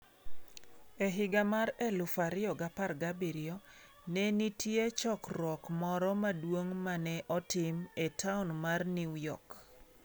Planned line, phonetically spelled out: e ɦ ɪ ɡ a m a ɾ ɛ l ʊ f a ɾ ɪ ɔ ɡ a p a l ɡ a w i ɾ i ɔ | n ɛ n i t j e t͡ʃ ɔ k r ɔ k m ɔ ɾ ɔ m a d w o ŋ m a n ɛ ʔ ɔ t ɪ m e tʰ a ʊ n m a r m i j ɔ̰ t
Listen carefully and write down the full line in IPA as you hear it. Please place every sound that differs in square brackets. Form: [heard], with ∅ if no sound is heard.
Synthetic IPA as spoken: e ɦ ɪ ɡ a m a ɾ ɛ l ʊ f a ɾ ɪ ɔ ɡ a p a [r] ɡ a [b] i ɾ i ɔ | n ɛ n i t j e t͡ʃ ɔ k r ɔ k m ɔ ɾ ɔ m a d w o ŋ m a n ɛ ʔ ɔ t ɪ m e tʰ a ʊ n m a r [n] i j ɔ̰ [k]